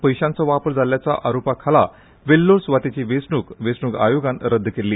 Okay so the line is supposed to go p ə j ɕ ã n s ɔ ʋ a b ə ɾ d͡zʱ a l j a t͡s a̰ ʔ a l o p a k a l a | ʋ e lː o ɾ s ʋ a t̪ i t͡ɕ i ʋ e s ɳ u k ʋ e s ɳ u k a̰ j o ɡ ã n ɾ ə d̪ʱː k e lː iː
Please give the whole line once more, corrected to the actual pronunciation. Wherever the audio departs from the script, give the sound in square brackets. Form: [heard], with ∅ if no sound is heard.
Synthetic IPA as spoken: p ə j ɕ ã n [t͡s] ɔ ʋ a [p] ə ɾ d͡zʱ a l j a t͡s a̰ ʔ a [ɾ] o p a [kʰ] a l a | ʋ e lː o ɾ s ʋ a t̪ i t͡ɕ i ʋ e s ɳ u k ʋ e s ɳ u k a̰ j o ɡ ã n ɾ ə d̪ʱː k e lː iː